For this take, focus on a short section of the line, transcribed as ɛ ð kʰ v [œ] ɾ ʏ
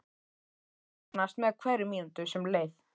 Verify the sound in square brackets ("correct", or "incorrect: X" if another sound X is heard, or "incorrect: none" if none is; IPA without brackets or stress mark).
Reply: incorrect: ɛ